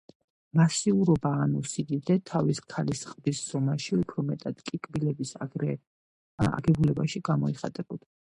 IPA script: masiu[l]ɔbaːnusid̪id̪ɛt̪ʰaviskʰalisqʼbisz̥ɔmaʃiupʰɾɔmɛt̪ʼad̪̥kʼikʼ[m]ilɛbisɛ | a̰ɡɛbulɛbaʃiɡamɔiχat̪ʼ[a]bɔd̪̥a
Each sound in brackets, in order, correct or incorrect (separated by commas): incorrect, incorrect, incorrect